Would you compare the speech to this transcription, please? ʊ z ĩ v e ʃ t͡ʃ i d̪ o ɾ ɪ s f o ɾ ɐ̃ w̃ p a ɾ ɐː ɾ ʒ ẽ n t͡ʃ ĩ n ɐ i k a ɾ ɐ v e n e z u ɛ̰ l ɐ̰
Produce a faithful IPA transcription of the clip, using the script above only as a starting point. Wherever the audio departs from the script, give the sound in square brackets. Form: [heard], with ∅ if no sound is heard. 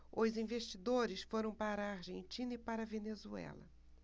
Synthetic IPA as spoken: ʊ z ĩ v e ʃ t͡ʃ i d̪ o ɾ ɪ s f o ɾ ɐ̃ w̃ p a ɾ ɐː ɾ ʒ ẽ n t͡ʃ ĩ n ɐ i [p] a ɾ ɐ v e n e z u ɛ̰ l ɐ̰